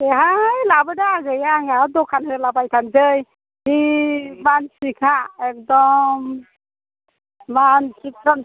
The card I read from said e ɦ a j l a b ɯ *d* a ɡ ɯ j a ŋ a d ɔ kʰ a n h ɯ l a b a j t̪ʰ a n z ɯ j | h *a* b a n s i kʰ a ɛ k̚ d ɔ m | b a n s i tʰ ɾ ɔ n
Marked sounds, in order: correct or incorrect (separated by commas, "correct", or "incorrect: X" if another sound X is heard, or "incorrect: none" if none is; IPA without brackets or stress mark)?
correct, incorrect: i